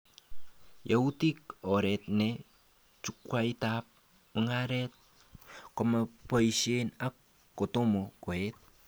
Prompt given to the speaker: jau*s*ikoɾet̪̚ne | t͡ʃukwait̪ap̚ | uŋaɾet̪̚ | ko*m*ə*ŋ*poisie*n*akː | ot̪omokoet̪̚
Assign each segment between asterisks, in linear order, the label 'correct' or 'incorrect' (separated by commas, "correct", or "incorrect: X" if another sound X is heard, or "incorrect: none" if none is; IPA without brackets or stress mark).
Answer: incorrect: t, correct, incorrect: none, correct